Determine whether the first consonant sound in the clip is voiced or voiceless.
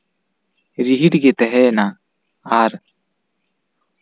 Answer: voiced